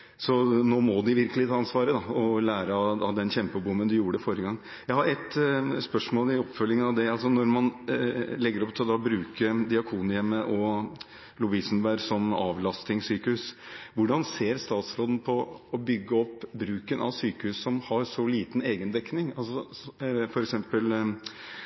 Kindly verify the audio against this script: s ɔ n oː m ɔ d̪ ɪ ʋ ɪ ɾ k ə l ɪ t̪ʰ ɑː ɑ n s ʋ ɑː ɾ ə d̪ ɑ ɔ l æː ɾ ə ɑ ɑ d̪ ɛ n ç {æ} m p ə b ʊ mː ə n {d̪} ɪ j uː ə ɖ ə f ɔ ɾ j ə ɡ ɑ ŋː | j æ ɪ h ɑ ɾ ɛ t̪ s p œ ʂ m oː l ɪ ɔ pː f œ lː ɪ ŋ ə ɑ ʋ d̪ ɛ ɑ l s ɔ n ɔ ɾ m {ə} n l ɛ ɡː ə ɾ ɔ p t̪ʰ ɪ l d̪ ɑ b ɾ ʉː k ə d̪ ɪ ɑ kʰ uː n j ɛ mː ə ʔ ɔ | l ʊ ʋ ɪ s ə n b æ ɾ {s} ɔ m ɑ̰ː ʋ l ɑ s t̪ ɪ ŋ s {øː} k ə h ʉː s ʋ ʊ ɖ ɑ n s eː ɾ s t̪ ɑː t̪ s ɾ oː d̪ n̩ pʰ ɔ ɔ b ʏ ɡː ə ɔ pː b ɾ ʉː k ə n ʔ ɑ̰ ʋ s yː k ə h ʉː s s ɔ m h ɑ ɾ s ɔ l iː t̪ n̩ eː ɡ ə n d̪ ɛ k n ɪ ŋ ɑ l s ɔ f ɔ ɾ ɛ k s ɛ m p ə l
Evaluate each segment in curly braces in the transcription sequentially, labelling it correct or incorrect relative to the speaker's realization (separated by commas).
incorrect, correct, incorrect, correct, incorrect